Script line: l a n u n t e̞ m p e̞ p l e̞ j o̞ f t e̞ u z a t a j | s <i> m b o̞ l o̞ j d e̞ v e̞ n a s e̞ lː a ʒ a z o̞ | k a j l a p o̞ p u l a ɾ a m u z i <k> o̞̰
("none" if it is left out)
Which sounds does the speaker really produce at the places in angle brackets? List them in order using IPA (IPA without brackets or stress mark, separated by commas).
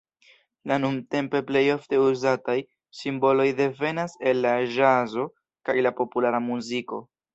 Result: i, k